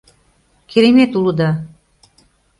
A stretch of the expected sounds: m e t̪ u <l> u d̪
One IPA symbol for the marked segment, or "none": l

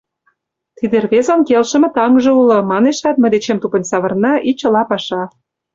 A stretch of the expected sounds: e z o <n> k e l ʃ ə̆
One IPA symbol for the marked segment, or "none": n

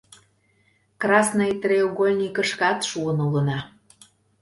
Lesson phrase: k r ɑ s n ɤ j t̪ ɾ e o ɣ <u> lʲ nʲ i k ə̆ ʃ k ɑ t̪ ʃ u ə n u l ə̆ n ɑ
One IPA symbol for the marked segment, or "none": o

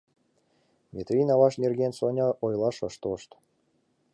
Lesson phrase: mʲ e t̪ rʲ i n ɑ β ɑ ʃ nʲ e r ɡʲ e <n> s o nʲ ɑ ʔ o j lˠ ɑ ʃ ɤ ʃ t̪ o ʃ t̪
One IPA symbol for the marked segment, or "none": n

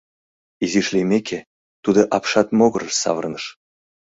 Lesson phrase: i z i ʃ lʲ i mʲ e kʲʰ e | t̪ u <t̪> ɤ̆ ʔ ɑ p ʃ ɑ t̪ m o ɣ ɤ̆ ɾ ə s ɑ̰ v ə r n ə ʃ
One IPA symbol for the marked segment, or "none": d̪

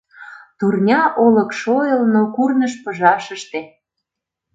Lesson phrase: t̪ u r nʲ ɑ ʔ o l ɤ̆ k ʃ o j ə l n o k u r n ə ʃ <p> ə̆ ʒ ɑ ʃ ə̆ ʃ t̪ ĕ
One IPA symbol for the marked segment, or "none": p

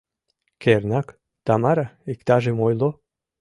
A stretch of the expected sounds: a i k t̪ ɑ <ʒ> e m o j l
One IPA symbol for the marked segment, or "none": ʒ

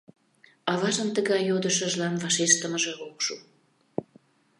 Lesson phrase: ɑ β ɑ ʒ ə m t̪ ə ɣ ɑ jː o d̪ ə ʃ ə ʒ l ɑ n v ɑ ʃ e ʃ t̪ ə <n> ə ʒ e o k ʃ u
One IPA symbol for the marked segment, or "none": m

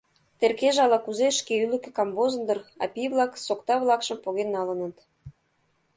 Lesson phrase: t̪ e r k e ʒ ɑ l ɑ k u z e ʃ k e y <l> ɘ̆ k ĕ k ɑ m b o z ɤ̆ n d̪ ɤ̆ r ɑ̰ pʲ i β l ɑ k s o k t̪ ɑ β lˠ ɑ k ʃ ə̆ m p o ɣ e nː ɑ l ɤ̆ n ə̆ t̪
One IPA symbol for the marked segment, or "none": l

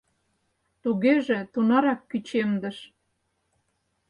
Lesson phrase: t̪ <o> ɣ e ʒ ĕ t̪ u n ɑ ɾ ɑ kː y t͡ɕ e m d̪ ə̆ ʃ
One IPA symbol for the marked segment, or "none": u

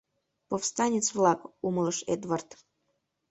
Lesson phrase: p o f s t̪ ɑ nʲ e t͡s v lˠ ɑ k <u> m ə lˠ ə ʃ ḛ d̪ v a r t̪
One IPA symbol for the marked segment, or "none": u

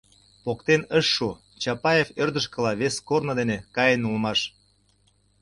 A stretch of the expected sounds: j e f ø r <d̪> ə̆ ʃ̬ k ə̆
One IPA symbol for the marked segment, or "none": d̪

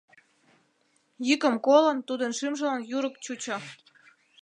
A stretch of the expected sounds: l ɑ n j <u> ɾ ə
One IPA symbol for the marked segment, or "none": u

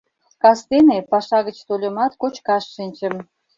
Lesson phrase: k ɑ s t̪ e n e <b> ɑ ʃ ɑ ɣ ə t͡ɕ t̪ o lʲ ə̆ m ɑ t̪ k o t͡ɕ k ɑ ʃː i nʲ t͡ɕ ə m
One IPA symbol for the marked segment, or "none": p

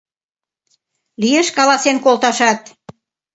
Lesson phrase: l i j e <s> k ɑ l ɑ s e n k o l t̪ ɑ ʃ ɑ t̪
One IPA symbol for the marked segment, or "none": ʃ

